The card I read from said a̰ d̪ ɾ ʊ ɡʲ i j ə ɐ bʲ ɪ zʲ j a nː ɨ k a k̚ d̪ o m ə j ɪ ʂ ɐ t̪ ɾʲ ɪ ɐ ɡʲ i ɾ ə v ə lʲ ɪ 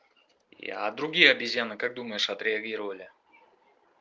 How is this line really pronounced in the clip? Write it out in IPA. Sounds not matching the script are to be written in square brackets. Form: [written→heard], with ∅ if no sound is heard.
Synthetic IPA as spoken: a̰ d̪ ɾ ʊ ɡʲ i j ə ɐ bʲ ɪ zʲ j a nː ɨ k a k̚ d̪ [o→u] m ə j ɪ ʂ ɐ t̪ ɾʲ ɪ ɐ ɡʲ i ɾ ə v ə lʲ ɪ